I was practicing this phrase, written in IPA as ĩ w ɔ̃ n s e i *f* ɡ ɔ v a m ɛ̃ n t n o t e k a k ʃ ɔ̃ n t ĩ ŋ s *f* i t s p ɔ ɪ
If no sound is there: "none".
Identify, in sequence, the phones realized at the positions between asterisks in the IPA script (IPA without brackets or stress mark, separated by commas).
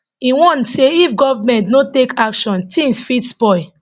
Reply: f, f